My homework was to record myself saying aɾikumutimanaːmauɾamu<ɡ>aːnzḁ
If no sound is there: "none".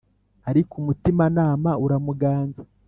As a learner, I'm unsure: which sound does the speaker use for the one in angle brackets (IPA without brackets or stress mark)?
ɡ